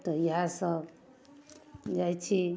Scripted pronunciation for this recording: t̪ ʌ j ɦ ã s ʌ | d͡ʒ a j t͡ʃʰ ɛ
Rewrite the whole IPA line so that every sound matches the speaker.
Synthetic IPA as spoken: t̪ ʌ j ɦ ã s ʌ | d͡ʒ a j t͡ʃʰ i